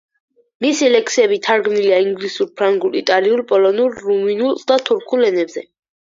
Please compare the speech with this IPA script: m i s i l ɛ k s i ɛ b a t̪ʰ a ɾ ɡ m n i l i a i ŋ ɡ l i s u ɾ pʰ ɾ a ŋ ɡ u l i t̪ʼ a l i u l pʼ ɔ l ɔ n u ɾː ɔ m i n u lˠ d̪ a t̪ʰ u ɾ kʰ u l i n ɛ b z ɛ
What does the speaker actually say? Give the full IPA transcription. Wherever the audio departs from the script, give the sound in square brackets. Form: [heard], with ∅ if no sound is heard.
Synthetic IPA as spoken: m i s i l ɛ k s i ɛ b [i] t̪ʰ a ɾ ɡ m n i l i a i ŋ ɡ l i s u ɾ pʰ ɾ a ŋ ɡ u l i t̪ʼ a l i u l pʼ ɔ l ɔ n u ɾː [u] m i n u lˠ d̪ a t̪ʰ u ɾ kʰ u l [ɛ] n ɛ b z ɛ